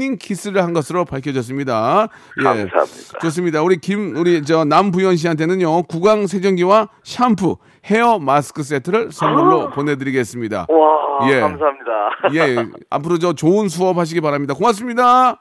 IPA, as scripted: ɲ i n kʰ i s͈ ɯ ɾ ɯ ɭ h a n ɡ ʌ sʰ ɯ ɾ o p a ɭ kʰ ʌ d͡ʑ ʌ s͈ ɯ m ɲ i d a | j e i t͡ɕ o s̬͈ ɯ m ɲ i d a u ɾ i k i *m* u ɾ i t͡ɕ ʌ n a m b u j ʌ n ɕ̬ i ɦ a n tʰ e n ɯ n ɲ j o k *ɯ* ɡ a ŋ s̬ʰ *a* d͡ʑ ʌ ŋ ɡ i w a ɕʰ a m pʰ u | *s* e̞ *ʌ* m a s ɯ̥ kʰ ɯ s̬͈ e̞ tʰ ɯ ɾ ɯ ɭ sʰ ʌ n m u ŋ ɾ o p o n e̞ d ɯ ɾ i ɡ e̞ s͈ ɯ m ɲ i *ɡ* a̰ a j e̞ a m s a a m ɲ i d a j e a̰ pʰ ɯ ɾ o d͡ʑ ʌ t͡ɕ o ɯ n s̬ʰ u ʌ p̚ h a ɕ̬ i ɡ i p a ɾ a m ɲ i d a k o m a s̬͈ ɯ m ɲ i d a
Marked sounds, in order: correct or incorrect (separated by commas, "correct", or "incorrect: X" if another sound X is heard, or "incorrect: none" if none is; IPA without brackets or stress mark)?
correct, incorrect: u, incorrect: e, incorrect: h, correct, incorrect: d